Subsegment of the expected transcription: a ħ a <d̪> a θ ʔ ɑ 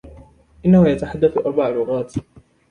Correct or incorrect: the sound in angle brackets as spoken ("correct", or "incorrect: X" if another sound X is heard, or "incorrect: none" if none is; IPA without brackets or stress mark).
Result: incorrect: d̪ː